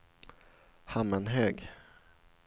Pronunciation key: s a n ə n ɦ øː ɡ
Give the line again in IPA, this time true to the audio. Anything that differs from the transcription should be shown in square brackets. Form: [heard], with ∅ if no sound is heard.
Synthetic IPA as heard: [h] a [m] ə n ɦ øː ɡ

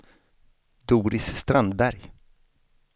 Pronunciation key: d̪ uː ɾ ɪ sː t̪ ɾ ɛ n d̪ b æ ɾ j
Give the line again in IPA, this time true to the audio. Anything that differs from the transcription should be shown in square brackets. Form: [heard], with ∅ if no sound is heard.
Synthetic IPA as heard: d̪ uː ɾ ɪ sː t̪ ɾ [a] n d̪ b æ ɾ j

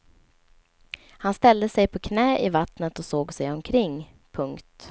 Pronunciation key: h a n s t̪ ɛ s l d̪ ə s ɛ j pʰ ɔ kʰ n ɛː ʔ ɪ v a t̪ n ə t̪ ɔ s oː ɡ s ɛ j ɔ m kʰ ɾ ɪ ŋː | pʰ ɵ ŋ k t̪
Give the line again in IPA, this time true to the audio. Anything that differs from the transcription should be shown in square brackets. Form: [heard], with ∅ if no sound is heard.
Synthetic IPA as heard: h a n s t̪ ɛ [∅] l d̪ ə s ɛ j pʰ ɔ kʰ n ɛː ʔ ɪ v a t̪ n ə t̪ ɔ s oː ɡ s ɛ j ɔ m kʰ ɾ ɪ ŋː | pʰ ɵ ŋ k t̪

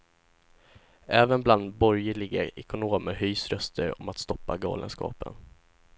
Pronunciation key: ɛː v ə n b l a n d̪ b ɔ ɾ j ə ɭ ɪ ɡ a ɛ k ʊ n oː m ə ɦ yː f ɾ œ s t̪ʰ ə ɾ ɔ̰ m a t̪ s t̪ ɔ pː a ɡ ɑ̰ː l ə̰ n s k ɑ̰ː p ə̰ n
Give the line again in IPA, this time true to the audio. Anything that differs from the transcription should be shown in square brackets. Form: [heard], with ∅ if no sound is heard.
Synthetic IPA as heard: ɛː v ə n b l a n d̪ b ɔ ɾ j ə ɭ ɪ ɡ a ɛ k ʊ n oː m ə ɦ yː [s] ɾ œ s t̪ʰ ə ɾ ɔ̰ m a t̪ s t̪ ɔ pː a ɡ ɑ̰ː l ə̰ n s k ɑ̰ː p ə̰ n

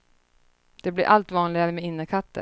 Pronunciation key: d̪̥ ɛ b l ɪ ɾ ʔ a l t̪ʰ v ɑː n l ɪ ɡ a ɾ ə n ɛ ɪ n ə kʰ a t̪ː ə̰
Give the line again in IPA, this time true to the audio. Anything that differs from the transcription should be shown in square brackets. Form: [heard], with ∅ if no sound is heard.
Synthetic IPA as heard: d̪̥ ɛ b l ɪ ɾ ʔ a l [t̪] v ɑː n l ɪ ɡ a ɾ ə [m] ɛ ɪ [nː] ə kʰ a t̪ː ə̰

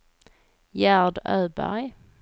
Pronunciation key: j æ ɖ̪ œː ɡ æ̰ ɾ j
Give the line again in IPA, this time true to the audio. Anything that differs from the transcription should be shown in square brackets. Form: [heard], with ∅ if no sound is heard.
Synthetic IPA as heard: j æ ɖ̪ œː [b] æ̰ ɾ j

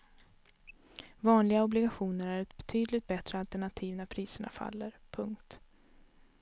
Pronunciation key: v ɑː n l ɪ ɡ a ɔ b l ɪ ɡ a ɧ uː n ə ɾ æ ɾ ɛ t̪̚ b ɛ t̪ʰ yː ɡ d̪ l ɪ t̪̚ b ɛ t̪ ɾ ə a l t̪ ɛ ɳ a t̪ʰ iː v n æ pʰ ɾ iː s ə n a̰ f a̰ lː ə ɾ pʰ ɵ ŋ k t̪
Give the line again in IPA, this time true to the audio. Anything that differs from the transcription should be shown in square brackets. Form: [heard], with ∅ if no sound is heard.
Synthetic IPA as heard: v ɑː n l ɪ ɡ a ɔ b l ɪ ɡ a ɧ uː n ə ɾ æ ɾ ɛ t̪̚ b ɛ t̪ʰ yː [∅] d̪ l ɪ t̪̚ b ɛ t̪ ɾ ə a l t̪ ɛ ɳ a t̪ʰ iː v n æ pʰ ɾ iː s ə [ɳ] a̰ f a̰ lː ə ɾ pʰ ɵ ŋ k t̪

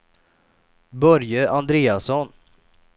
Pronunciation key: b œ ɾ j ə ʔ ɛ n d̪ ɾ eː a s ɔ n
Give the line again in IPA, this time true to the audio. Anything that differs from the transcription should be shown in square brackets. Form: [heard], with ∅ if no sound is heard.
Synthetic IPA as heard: b œ ɾ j ə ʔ [a] n d̪ ɾ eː a s ɔ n

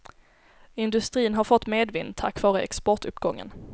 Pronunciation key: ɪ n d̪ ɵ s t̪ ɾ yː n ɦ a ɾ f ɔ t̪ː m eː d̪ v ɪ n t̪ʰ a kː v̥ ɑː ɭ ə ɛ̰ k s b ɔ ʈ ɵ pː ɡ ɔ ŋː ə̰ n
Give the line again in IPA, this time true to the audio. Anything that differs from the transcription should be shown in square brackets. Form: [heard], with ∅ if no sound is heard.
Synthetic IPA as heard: ɪ n d̪ ɵ s t̪ ɾ [iː] n ɦ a ɾ f ɔ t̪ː m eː d̪ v ɪ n t̪ʰ a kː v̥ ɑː [ɾ] ə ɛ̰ k s [p] ɔ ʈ ɵ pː ɡ ɔ ŋː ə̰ n

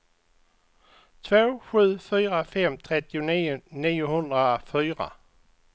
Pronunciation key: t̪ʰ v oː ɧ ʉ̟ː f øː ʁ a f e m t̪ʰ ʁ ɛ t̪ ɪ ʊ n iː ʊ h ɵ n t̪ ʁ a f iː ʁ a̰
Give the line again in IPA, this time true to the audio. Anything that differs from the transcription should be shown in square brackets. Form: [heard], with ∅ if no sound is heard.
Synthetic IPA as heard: t̪ʰ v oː ɧ ʉ̟ː f [yː] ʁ a f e m t̪ʰ ʁ ɛ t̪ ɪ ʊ n iː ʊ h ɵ n [d̪] ʁ a f [yː] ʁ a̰

